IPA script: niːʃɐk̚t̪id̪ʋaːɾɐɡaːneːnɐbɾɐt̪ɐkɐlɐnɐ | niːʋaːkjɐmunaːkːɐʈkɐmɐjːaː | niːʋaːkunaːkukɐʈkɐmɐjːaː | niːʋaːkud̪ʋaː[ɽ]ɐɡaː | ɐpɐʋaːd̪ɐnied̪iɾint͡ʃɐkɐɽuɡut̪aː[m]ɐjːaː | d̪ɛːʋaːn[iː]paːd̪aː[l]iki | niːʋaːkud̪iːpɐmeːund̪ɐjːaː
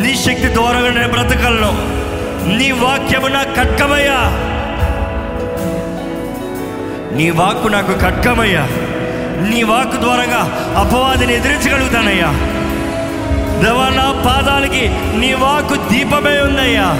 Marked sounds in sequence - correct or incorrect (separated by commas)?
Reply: incorrect, incorrect, incorrect, correct